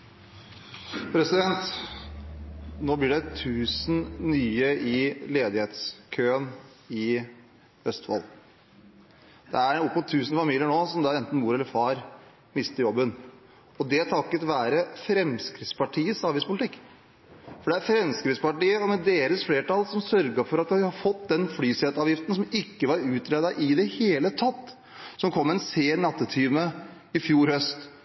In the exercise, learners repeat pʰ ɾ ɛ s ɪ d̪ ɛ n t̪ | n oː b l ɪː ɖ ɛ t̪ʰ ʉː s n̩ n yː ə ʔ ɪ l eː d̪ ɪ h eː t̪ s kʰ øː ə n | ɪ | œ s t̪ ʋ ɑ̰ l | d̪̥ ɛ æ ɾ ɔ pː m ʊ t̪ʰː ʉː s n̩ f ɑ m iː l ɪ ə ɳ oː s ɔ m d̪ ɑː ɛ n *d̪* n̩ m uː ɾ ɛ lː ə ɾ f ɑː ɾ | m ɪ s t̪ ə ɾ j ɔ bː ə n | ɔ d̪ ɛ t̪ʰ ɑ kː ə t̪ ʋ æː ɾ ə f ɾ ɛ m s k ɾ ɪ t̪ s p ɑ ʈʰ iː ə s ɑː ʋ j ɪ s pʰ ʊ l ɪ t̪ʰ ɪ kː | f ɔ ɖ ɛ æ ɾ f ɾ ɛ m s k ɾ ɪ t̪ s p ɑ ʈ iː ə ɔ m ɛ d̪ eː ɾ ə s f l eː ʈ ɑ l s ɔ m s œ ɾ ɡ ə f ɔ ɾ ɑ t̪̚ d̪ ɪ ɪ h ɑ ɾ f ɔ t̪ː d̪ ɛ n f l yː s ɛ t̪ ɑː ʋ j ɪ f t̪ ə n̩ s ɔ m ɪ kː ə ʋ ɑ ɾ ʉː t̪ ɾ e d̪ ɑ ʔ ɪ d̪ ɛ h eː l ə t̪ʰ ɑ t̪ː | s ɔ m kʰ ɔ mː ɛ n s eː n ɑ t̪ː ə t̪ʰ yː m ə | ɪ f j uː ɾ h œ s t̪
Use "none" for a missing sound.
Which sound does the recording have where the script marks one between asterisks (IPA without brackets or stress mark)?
t̪